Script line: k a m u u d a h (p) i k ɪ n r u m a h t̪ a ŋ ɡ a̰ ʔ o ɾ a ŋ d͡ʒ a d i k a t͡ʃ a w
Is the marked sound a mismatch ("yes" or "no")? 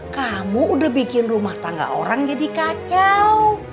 yes